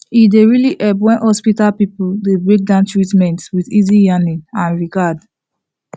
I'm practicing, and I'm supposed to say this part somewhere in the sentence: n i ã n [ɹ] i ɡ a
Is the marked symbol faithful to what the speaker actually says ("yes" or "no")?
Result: yes